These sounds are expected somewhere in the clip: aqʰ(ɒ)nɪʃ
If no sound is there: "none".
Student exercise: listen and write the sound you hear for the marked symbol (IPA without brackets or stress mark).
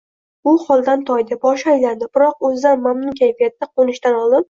o